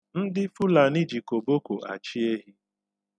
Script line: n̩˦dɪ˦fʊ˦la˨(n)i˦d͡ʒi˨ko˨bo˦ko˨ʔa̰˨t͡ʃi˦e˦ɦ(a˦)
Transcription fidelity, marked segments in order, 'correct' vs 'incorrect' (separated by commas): correct, incorrect